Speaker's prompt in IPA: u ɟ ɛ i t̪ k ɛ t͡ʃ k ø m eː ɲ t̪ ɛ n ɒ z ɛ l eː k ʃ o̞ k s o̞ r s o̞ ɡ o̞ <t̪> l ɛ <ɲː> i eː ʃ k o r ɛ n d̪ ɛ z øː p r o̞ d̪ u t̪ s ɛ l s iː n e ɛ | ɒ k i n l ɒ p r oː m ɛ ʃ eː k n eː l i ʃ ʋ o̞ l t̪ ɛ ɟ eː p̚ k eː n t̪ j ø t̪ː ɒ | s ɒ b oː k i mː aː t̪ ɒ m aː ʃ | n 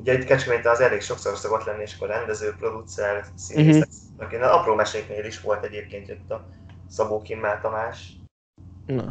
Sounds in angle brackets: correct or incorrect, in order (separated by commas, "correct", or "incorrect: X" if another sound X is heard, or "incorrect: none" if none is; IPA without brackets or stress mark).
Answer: correct, incorrect: nː